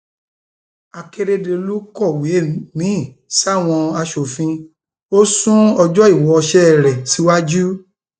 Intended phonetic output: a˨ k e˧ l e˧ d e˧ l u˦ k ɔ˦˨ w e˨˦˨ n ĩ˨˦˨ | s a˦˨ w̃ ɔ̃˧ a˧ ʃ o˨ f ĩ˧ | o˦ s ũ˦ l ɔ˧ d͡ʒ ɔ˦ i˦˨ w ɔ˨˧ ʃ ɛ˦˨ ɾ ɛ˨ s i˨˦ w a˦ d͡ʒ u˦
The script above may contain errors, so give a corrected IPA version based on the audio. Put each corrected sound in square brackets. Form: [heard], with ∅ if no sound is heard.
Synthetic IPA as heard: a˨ k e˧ [ɾ] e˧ d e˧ l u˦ k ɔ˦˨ w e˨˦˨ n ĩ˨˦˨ | s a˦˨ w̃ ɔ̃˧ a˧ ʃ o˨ f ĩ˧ | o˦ s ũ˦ [∅] ɔ˧ d͡ʒ ɔ˦ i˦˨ w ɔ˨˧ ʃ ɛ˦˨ ɾ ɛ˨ s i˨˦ w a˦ d͡ʒ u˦